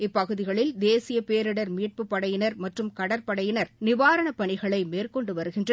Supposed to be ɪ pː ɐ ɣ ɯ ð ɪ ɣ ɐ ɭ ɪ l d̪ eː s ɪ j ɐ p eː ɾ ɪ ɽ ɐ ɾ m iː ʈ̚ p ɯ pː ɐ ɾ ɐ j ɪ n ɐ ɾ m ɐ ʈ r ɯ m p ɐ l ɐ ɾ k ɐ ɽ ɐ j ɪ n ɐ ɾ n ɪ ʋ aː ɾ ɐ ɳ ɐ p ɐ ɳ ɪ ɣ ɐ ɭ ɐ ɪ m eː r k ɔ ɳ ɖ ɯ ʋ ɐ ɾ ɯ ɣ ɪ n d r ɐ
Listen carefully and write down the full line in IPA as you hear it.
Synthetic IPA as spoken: ɪ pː ɐ ɣ ɯ ð ɪ ɣ ɐ ɭ ɪ l d̪ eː s ɪ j ɐ p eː ɾ ɪ ɽ ɐ ɾ m iː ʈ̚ p ɯ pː ɐ ɽ ɐ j ɪ n ɐ ɾ m ɐ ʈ r ɯ m k ɐ ɽ ɐ ɾ p ɐ ɽ ɐ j ɪ n ɐ ɾ n ɪ ʋ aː ɾ ɐ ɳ ɐ p ɐ ɳ ɪ ɣ ɐ ɭ ɐ ɪ m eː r k ɔ ɳ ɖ ɯ ʋ ɐ ɾ ɯ ɣ ɪ n d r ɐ